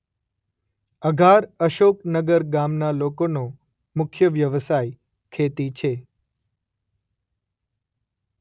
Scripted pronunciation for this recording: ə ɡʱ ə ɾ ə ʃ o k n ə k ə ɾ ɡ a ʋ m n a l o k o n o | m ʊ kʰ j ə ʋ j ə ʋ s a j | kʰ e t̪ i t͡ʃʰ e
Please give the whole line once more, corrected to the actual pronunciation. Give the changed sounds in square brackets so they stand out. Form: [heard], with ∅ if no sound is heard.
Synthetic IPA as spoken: ə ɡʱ [a] ɾ ə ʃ o k n ə [ɡ] ə ɾ ɡ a [∅] m n a l o k o n o | m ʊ kʰ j ə ʋ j ə ʋ s a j | kʰ e t̪ i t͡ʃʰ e